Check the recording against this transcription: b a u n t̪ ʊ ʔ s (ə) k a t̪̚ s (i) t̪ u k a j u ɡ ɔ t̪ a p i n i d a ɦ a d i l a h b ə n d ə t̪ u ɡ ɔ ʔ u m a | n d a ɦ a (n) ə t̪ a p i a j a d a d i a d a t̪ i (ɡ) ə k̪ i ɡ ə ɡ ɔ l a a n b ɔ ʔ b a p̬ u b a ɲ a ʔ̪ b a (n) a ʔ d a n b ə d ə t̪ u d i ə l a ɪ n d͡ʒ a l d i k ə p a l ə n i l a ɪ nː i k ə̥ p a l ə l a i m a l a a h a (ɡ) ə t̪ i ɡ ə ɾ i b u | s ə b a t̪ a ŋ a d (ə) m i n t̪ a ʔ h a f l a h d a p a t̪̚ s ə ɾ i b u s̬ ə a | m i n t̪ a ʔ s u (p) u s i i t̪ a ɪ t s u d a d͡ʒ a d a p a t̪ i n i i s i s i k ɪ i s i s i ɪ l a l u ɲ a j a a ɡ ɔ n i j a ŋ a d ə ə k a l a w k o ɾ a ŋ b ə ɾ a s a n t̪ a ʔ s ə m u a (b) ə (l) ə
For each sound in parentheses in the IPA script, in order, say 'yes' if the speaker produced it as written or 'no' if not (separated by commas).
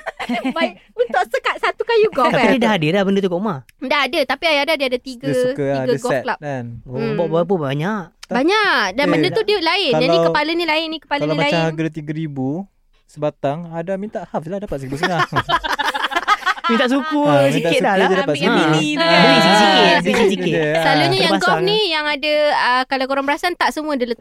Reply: yes, no, no, yes, no, yes, no, no, no, yes